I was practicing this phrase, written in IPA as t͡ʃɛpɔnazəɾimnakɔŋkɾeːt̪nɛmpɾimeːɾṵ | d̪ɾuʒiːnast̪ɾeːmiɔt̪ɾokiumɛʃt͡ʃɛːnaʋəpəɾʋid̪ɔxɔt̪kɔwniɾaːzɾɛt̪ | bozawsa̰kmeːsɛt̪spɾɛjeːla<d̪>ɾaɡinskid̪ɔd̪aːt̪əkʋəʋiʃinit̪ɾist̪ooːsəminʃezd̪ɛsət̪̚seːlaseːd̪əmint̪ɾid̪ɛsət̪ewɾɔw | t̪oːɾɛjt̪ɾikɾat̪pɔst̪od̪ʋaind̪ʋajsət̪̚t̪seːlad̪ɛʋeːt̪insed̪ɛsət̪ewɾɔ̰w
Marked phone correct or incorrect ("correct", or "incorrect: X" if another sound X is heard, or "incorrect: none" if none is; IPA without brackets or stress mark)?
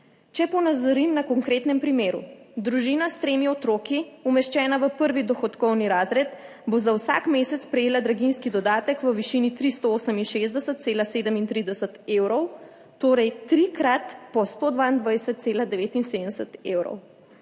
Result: correct